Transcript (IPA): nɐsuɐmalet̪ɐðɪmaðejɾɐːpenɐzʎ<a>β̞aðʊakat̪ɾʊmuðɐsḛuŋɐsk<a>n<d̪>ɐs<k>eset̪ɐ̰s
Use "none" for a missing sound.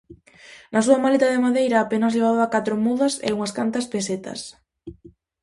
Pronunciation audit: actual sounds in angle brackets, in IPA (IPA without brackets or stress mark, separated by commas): e, a, t̪, p